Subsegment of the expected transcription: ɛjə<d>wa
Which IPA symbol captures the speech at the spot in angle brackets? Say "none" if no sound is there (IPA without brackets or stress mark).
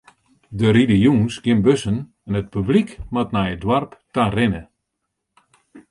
d